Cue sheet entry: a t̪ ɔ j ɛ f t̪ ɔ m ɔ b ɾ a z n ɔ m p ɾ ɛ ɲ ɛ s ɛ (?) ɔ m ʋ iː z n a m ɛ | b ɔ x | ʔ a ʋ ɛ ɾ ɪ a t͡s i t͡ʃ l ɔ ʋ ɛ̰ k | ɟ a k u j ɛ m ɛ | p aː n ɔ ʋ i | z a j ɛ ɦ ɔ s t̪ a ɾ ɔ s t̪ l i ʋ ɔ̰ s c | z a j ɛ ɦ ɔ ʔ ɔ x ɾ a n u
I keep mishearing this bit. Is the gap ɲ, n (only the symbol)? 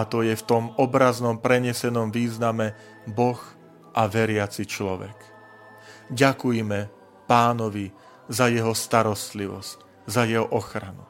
n